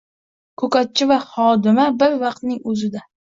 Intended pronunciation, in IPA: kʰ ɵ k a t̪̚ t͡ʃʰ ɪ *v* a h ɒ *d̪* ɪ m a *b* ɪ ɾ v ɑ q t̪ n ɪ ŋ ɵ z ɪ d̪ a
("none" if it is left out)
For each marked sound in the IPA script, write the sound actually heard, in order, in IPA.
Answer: v, d̪, b

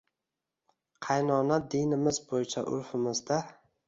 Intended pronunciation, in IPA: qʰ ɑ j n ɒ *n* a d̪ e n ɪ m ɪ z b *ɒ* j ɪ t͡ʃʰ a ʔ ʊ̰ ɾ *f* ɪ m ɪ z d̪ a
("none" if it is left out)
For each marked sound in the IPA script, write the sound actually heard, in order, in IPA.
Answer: n, o, f

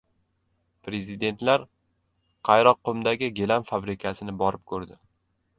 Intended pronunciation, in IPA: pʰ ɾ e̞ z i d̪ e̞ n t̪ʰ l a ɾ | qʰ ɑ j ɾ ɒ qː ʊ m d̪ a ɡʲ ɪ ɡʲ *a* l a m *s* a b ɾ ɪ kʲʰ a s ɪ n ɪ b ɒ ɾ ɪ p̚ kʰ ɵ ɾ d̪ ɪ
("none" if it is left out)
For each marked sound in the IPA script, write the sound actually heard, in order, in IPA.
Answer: e, f

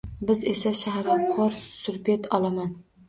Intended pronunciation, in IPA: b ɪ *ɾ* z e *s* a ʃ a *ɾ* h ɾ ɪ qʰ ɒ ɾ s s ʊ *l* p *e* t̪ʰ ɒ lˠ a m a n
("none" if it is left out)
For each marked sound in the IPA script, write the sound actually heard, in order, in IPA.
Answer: none, s, none, ɾ, e

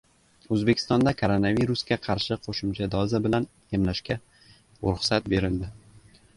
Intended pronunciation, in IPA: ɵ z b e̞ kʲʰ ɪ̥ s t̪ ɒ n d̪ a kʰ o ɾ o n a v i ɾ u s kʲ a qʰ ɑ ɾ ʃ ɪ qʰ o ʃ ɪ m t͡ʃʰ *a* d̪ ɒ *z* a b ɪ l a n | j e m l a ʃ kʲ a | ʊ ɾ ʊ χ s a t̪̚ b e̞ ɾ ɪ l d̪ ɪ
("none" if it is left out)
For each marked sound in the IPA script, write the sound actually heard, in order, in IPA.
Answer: a, z

